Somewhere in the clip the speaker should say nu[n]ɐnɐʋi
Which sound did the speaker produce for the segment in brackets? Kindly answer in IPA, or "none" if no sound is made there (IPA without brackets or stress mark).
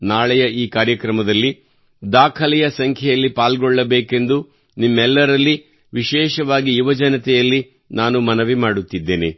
m